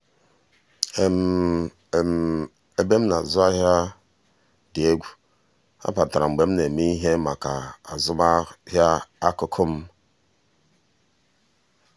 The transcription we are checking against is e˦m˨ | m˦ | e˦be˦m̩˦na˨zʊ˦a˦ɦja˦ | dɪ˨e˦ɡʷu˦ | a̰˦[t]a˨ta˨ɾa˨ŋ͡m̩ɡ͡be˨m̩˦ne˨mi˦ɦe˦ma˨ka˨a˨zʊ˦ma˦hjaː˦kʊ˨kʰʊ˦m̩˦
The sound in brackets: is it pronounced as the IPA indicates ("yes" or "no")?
no